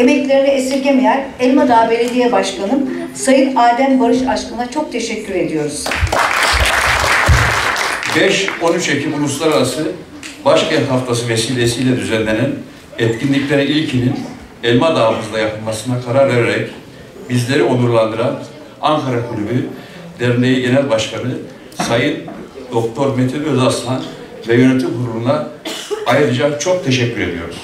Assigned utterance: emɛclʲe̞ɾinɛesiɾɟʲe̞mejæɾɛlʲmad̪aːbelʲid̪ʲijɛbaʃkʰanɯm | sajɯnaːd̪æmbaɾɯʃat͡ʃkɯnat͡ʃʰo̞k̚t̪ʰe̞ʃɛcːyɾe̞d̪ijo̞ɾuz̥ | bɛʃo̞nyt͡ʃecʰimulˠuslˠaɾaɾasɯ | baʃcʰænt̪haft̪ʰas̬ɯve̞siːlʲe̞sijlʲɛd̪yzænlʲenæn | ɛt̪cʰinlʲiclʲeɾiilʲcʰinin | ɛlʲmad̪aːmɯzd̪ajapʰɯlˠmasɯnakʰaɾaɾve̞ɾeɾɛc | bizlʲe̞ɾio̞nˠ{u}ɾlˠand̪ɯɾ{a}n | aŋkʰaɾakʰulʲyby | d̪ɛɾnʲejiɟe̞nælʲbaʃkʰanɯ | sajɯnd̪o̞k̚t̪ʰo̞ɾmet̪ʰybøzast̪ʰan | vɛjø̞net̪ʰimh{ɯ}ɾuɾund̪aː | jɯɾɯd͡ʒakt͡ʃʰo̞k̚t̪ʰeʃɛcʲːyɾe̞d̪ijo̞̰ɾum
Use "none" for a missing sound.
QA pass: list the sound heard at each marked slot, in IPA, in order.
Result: u, a, u

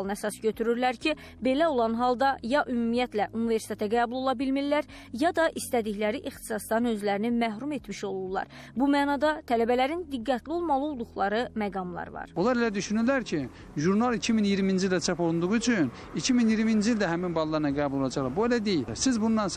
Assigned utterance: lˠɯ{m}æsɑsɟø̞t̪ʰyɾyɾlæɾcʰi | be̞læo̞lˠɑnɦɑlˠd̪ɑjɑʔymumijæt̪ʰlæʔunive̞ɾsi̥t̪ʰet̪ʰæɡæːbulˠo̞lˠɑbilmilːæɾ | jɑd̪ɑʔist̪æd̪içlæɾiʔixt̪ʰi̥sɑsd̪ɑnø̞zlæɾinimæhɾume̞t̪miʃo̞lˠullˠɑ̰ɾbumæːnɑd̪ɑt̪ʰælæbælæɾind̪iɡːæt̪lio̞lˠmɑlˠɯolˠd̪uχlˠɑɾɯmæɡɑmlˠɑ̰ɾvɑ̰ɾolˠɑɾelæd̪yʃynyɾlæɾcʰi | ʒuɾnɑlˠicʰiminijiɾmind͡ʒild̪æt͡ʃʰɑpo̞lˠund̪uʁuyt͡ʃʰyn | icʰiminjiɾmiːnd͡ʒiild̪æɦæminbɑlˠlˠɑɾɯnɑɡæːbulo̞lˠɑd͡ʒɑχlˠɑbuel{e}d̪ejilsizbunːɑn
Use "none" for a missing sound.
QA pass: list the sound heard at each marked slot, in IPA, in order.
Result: n, æ

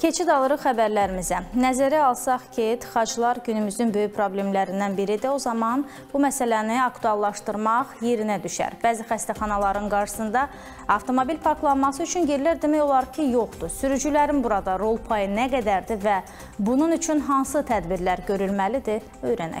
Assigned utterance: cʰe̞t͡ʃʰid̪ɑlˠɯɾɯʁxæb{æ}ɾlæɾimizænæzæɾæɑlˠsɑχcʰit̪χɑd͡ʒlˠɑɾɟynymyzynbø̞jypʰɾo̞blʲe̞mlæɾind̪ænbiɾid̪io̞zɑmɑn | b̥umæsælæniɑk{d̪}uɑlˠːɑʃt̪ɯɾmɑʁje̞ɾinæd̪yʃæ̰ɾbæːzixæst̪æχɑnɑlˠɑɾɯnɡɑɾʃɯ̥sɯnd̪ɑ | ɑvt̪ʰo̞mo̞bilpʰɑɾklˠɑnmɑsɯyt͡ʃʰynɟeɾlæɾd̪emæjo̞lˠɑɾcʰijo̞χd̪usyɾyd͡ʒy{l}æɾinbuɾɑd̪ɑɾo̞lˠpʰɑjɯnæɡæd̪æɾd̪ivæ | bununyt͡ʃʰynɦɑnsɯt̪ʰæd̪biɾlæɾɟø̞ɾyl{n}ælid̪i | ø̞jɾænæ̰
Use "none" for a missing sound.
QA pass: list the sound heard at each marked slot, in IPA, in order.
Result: æ, t̪, l, m

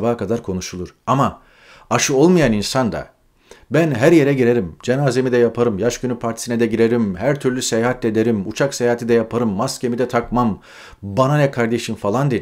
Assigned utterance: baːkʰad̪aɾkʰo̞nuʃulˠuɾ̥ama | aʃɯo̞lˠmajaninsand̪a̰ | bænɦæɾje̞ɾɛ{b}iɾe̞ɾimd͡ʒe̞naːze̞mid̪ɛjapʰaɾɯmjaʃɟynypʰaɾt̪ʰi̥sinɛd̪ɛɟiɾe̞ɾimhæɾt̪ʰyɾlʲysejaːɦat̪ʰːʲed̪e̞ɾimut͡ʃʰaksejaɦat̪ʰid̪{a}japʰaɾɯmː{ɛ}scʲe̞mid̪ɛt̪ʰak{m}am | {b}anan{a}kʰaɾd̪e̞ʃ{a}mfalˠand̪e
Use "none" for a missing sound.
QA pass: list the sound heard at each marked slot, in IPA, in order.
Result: ɟ, ɛ, a, m, b, ɛ, i

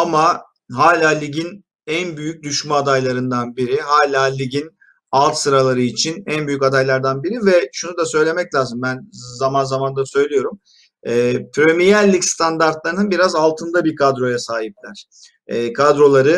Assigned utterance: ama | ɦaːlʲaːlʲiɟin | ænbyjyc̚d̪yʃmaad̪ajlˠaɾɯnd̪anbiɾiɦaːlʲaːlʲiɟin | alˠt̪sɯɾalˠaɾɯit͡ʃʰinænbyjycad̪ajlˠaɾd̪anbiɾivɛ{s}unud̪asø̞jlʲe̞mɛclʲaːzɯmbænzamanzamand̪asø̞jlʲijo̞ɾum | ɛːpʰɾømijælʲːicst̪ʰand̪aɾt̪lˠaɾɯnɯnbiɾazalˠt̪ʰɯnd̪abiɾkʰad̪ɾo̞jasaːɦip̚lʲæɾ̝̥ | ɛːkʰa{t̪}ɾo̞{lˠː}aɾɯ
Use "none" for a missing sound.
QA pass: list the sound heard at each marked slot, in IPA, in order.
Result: ʃ, d̪, lˠ

